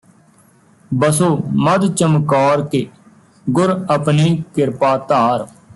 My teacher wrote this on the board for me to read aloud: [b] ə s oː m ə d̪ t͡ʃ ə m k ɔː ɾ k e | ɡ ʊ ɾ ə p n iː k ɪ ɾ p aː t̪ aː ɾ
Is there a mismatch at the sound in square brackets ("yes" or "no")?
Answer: no